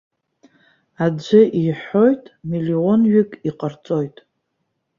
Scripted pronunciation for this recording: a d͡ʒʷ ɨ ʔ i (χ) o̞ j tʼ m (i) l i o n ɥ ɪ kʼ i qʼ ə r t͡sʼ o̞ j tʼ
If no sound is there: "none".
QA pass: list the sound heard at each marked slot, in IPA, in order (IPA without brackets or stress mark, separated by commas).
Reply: ħ, i